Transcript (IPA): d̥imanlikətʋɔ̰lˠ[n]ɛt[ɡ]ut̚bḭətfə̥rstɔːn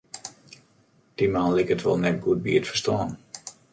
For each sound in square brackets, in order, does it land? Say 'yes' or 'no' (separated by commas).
yes, yes